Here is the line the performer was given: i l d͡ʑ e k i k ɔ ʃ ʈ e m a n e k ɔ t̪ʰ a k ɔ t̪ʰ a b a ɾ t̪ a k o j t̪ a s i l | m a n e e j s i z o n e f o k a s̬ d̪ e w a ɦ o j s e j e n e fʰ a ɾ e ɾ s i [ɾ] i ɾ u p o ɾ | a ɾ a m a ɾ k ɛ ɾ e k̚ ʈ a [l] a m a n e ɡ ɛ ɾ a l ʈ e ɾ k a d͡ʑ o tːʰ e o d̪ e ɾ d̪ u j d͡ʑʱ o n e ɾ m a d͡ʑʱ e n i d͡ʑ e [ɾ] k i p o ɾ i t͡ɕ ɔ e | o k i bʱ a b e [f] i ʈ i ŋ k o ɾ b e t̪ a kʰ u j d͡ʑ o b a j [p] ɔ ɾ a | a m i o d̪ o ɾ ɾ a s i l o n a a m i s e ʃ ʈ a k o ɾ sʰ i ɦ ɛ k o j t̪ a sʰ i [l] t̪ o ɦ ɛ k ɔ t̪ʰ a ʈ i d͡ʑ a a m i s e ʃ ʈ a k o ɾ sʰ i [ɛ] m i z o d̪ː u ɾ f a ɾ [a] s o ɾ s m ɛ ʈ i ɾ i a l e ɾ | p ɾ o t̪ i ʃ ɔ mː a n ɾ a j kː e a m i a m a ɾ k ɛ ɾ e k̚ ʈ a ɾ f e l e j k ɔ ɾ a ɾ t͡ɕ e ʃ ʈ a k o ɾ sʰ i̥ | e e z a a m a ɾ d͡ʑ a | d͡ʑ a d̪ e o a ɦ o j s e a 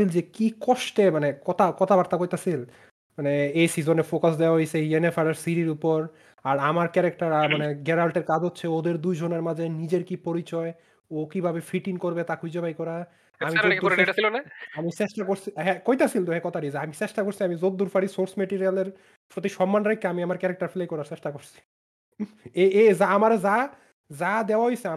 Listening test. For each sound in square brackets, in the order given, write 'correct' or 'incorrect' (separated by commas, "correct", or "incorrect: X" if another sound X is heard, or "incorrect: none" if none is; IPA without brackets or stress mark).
correct, incorrect: ɾ, correct, correct, incorrect: k, correct, incorrect: a, incorrect: i